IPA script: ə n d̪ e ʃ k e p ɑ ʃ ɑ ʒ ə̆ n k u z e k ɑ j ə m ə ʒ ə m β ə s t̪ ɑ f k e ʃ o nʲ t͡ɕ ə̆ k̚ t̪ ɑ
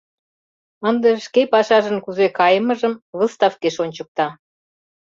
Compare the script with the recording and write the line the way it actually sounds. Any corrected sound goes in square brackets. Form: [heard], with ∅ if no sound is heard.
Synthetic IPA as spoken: ə n d̪ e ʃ k e p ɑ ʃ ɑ ʒ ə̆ n k u z e k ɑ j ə m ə ʒ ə m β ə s t̪ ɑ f k e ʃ o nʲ t͡ɕ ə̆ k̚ t̪ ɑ